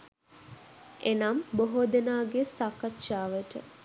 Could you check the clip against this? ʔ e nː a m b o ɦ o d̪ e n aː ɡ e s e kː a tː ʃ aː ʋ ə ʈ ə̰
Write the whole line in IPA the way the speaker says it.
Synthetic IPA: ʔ e n a m b o ɦ o d̪ e n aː ɡ e s a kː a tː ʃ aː ʋ ə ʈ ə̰